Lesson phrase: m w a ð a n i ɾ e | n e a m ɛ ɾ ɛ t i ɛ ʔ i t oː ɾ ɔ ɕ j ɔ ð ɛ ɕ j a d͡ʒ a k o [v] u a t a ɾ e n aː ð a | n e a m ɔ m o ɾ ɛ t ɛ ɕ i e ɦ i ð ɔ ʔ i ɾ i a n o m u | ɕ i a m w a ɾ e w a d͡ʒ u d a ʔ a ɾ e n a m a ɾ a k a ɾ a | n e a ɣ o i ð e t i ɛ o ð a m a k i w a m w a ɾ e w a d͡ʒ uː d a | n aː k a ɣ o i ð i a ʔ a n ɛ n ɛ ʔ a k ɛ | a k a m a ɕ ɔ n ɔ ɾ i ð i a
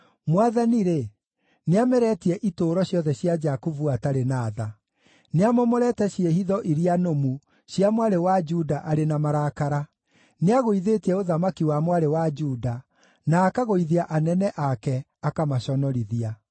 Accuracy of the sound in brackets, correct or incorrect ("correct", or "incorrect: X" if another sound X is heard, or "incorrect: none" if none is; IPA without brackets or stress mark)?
correct